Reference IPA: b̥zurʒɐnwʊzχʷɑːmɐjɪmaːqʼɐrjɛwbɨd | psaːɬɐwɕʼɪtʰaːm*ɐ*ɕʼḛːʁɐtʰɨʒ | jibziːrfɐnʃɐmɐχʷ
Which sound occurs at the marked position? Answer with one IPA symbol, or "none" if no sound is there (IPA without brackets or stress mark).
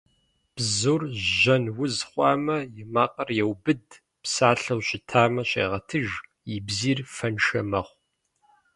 ɐ